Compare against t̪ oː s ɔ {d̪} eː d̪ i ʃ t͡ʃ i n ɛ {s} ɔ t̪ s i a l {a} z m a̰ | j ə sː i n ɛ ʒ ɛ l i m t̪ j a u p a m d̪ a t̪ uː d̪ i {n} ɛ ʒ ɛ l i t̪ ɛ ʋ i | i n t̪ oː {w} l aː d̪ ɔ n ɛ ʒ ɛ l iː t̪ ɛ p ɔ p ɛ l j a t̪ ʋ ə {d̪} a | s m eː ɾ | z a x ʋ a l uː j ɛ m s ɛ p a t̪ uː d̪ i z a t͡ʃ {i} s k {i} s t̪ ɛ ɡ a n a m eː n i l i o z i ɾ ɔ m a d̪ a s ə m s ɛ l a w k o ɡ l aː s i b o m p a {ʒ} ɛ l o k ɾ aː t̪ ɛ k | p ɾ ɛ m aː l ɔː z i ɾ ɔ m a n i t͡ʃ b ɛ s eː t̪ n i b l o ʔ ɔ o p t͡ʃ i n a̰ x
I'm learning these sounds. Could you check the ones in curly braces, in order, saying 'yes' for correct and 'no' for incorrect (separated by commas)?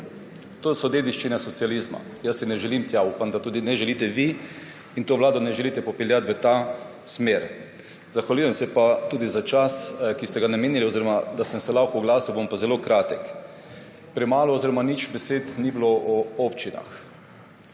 yes, yes, no, yes, no, no, no, yes, no